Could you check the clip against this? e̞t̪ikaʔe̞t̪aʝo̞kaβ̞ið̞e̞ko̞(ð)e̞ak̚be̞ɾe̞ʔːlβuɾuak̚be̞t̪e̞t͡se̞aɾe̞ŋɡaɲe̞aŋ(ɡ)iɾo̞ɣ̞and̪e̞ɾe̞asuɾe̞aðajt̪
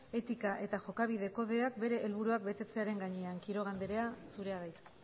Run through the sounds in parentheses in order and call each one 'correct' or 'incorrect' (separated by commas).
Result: correct, incorrect